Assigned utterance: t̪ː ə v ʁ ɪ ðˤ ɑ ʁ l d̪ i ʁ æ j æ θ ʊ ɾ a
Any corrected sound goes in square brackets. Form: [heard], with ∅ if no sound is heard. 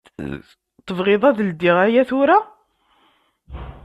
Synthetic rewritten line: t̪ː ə v ʁ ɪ ðˤ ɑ [ð] l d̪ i ʁ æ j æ θ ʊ ɾ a